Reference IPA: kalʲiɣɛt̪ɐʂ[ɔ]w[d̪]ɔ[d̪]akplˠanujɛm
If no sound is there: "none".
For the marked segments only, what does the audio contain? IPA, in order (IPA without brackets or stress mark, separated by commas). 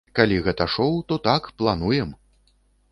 ɔ, t̪, t̪